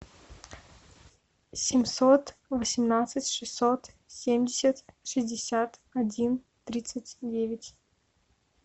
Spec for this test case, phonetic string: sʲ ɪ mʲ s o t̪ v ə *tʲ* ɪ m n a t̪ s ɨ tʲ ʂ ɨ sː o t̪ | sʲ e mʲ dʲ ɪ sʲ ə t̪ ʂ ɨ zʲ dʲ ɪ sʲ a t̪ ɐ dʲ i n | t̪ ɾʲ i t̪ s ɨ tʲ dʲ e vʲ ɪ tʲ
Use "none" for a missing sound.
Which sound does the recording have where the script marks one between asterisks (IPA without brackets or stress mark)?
sʲ